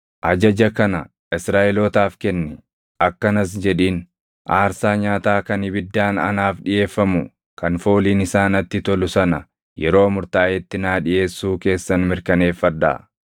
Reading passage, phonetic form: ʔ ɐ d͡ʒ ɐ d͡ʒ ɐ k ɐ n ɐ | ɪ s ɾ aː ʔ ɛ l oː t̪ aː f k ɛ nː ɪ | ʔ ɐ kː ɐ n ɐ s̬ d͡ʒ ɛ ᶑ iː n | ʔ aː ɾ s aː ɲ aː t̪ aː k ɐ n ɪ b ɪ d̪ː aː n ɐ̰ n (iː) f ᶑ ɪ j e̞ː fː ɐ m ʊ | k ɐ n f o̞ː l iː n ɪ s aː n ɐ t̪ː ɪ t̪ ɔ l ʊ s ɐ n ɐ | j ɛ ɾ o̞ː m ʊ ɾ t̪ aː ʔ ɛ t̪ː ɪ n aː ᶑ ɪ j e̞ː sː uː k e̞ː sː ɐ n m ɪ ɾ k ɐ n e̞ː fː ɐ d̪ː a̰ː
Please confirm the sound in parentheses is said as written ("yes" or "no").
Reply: no